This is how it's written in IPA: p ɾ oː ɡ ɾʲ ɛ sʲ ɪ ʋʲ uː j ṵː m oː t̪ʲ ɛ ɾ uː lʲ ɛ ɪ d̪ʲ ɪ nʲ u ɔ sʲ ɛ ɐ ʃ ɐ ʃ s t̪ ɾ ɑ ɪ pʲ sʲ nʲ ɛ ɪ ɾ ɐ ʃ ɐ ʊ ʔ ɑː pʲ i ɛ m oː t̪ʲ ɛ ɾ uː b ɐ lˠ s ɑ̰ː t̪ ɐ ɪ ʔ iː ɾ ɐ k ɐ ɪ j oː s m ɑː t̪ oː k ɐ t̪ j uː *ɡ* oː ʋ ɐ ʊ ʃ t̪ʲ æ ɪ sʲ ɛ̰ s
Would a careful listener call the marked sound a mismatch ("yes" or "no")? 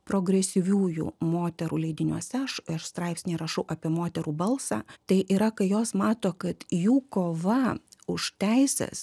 yes